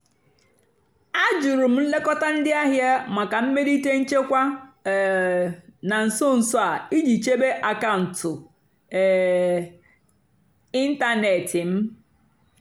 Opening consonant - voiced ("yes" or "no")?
yes